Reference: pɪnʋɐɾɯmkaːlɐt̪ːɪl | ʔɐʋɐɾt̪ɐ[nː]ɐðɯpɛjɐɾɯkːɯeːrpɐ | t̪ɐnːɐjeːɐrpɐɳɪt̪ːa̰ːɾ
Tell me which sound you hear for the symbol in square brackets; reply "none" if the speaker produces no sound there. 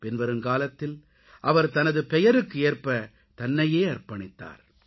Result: n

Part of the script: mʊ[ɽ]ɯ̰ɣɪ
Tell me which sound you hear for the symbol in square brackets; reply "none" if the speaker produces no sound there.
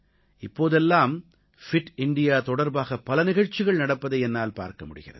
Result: ɽ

